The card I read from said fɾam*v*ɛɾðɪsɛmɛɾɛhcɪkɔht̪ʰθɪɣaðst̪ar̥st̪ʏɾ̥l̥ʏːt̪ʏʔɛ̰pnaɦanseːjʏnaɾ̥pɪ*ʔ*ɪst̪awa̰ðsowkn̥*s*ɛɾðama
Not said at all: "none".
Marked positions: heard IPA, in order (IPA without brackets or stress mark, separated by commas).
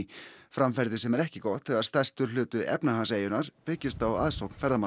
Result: f, c, f